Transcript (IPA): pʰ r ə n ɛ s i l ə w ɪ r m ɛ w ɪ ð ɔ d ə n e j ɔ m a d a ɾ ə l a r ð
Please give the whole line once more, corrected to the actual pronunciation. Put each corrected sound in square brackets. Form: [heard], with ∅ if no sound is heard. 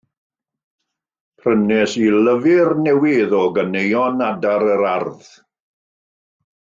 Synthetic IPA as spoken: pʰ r ə n ɛ s i l ə [v] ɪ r [n] ɛ w ɪ ð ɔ [ɡ] ə n e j ɔ [n] a d a ɾ ə [ɾ] a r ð